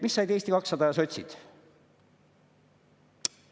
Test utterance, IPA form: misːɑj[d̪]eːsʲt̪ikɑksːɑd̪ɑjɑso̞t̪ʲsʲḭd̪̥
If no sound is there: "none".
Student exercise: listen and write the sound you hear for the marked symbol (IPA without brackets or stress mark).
d̪